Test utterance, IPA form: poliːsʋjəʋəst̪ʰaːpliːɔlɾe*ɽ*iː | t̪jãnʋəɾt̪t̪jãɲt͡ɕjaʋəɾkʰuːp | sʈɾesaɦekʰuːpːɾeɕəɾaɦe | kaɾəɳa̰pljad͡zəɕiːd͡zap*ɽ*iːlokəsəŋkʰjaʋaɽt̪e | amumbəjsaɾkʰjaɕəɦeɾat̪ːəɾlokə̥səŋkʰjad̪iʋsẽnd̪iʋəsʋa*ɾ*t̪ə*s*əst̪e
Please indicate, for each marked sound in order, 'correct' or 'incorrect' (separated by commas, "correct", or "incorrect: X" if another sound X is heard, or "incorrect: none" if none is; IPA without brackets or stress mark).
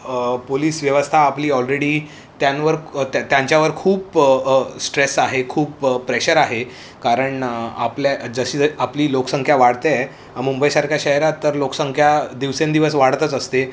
correct, incorrect: l, incorrect: ɽ, incorrect: t͡s